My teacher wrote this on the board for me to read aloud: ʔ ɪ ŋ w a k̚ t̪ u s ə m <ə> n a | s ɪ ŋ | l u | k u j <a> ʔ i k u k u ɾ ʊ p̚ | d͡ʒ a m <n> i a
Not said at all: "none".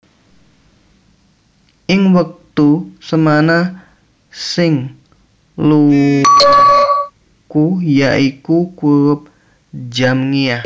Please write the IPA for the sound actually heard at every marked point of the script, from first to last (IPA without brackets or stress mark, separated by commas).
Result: a, a, ŋ